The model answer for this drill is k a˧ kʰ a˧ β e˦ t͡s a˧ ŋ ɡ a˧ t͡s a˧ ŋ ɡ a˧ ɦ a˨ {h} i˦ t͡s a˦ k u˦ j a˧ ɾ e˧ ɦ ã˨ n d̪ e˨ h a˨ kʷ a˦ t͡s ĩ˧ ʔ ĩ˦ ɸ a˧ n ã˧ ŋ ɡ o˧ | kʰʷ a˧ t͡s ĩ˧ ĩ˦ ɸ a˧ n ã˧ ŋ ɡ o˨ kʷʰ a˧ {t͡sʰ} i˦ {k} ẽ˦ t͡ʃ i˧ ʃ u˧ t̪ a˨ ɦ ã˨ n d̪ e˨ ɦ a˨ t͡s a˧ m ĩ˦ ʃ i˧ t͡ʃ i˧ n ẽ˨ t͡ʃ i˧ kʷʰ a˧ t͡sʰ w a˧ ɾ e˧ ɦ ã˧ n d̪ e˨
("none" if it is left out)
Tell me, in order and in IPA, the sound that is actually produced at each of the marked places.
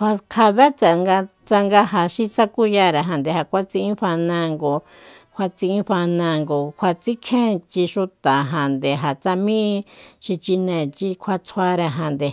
ʃ, t͡s, kʰ

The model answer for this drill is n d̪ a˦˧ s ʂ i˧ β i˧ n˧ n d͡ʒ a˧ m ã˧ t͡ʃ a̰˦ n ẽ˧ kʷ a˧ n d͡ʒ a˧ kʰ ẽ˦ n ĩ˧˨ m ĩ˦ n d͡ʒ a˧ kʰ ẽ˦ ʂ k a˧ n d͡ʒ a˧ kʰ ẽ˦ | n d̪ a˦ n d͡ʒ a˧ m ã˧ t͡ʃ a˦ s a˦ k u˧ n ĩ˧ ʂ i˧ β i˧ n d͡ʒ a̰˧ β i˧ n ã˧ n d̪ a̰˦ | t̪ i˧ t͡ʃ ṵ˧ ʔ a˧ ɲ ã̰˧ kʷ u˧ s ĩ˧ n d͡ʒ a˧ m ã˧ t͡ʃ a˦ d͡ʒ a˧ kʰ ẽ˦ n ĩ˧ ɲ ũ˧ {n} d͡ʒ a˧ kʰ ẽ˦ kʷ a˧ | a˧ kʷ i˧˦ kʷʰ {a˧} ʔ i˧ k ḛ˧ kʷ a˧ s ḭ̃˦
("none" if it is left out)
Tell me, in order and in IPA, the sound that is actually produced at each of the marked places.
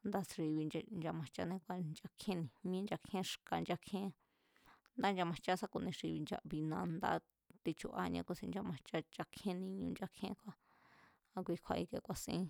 n, a˧

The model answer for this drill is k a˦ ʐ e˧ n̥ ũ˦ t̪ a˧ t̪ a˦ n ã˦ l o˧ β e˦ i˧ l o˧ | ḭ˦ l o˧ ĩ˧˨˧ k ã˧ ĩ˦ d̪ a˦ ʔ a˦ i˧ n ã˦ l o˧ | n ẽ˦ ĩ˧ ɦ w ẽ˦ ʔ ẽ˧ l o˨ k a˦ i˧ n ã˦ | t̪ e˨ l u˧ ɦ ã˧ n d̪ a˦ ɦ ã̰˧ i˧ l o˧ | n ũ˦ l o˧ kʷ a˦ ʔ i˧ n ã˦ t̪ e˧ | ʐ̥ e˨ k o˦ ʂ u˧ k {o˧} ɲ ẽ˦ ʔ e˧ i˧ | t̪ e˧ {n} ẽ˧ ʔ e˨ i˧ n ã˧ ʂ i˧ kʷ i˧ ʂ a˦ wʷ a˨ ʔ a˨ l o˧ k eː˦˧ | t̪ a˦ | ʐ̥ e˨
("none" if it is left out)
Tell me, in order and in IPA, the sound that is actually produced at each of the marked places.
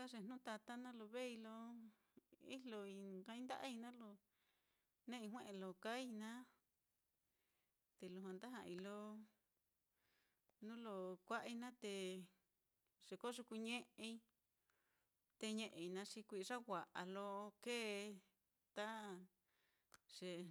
u˧, ɲ

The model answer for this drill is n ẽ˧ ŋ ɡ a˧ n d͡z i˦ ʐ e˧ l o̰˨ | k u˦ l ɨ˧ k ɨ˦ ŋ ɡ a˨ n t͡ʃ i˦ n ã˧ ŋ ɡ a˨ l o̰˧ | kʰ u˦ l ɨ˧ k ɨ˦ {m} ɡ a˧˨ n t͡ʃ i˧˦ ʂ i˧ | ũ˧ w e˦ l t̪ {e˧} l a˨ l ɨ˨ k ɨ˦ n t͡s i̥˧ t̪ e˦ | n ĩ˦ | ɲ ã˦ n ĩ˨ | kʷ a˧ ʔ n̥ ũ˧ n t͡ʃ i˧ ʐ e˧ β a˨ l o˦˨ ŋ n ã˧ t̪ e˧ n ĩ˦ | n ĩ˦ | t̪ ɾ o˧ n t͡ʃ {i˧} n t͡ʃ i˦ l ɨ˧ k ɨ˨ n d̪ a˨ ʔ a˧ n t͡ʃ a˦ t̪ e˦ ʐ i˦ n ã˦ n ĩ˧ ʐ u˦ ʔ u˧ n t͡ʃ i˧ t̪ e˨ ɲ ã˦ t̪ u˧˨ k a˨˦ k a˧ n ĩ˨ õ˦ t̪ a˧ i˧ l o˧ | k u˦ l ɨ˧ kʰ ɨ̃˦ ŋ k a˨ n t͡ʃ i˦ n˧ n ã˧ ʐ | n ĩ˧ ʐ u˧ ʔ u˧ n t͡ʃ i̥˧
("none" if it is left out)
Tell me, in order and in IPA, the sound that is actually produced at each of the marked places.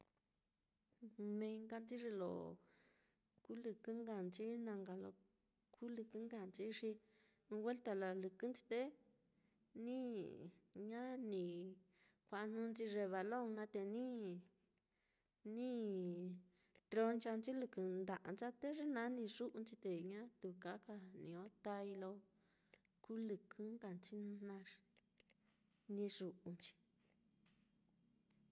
ŋ, a˧, a˧

